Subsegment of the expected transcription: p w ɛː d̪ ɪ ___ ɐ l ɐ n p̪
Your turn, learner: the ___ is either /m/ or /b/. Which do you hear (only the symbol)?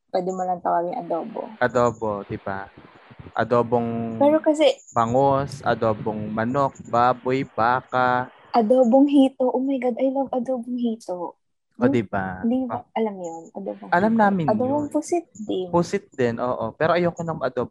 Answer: m